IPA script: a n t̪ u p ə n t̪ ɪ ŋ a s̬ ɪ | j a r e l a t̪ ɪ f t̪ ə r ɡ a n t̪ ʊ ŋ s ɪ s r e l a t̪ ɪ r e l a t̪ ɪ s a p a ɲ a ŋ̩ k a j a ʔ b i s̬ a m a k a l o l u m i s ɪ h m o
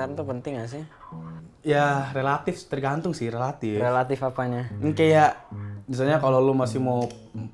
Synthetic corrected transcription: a n t̪ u p ə n t̪ ɪ ŋ a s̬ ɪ | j a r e l a t̪ ɪ f t̪ ə r ɡ a n t̪ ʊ ŋ s ɪ h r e l a t̪ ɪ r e l a t̪ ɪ f a p a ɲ a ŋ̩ k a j a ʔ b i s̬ a ɲ a k a l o l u m a s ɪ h m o